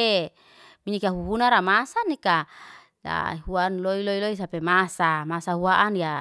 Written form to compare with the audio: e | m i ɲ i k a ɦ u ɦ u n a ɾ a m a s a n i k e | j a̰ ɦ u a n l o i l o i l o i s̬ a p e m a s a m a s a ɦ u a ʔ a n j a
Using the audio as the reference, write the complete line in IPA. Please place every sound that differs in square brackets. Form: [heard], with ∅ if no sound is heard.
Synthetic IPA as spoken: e | m i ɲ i k a ɦ u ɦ u n a ɾ a m a s a n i k [a] | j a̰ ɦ u a n l o i l o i l o i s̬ a p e m a s a m a s a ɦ u a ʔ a n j a